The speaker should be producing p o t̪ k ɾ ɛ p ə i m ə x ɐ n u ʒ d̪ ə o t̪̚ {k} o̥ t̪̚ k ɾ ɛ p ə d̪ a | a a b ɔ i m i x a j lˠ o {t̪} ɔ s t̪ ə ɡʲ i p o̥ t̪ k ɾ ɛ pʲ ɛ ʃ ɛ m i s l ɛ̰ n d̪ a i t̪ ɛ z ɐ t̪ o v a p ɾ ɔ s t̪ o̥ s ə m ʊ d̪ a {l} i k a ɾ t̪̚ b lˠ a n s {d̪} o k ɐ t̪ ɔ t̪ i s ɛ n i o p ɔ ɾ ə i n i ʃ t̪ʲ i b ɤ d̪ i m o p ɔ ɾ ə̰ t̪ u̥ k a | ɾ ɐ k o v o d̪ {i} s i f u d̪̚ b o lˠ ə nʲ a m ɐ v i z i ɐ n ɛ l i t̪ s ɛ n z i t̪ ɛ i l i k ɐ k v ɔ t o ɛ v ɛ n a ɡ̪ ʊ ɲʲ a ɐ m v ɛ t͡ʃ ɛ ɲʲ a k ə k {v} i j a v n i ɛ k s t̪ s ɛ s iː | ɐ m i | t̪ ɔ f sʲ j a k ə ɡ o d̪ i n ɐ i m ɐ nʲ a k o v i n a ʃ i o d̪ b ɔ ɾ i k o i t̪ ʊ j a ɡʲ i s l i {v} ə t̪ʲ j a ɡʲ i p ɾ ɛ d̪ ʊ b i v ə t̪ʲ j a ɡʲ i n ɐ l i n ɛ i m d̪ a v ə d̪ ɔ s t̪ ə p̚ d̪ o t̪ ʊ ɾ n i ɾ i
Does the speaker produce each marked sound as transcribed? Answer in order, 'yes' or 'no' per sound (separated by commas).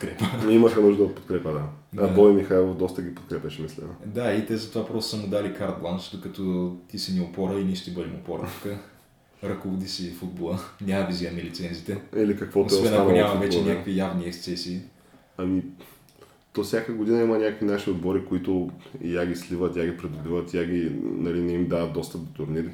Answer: no, no, yes, yes, yes, yes, yes